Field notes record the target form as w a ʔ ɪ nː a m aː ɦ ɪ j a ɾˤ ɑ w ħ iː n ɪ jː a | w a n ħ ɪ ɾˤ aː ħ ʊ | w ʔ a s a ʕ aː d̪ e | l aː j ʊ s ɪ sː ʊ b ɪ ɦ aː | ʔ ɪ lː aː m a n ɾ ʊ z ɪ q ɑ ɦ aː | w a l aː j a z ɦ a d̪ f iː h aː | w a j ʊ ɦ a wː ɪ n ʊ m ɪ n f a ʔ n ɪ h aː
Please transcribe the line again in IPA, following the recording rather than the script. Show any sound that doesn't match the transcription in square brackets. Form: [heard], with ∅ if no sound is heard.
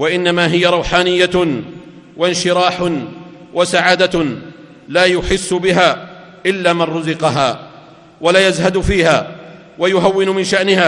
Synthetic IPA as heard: w a ʔ ɪ nː a m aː ɦ ɪ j a ɾˤ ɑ w ħ [aː] n ɪ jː a | w a n [ʃ] ɪ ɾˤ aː ħ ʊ | w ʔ a s a ʕ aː d̪ [a] | l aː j ʊ [ħ] ɪ sː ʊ b ɪ ɦ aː | ʔ ɪ lː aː m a n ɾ ʊ z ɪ q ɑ ɦ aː | w a l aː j a z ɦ a d̪ f iː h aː | w a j ʊ ɦ a wː ɪ n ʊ m ɪ n [ʃ] a ʔ n ɪ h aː